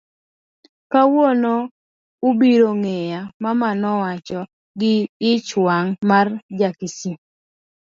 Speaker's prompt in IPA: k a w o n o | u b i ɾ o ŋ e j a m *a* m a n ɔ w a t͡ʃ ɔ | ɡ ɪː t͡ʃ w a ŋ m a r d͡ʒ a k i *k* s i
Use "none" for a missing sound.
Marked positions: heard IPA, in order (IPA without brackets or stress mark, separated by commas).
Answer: a, none